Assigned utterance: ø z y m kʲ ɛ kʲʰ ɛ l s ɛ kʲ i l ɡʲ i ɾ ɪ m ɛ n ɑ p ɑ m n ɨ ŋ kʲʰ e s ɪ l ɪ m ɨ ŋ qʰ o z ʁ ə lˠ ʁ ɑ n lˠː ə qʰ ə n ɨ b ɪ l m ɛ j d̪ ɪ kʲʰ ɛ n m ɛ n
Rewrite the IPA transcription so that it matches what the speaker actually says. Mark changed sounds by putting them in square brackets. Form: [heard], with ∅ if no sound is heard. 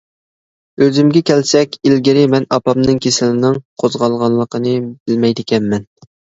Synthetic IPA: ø z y m [ɡʲ] ɛ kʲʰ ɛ l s ɛ kʲ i l ɡʲ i ɾ ɪ m ɛ n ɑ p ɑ m n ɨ ŋ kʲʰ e s ɪ l ɪ [n] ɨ ŋ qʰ o z ʁ [ɑ] lˠ ʁ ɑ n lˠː ə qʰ ə n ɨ b ɪ l m ɛ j d̪ ɪ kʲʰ ɛ n m ɛ n

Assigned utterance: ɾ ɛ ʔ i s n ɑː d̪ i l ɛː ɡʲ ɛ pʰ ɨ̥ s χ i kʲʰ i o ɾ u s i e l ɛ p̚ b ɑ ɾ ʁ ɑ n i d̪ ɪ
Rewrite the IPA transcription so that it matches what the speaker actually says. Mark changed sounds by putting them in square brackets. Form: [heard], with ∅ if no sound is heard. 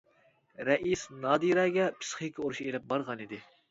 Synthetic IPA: ɾ ɛ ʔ i s n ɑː d̪ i [ɾ] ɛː ɡʲ ɛ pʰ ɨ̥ s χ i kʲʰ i o ɾ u [ʃ] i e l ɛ p̚ b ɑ ɾ ʁ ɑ n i d̪ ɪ

